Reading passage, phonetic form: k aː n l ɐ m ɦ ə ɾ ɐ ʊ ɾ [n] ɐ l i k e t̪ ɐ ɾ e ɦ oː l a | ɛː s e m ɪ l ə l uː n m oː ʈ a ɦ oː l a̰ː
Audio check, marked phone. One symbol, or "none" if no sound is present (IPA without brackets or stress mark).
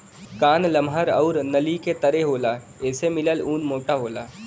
n